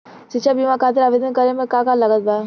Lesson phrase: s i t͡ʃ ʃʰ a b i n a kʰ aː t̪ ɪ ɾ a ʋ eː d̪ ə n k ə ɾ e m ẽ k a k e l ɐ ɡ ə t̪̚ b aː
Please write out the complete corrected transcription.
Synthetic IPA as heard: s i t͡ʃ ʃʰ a b i m a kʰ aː t̪ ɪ ɾ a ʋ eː d̪ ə n k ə ɾ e m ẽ k a k a l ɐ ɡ ə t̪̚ b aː